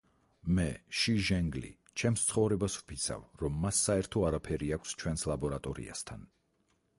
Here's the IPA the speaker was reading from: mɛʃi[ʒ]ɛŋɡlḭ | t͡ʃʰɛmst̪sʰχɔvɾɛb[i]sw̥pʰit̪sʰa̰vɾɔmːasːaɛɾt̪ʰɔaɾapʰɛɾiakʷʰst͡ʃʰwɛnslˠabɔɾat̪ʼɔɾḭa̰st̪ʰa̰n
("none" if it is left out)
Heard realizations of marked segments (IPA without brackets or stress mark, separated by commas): ʒ, a